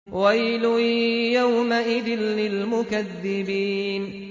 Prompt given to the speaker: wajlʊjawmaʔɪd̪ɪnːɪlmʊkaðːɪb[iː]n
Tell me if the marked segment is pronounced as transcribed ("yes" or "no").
yes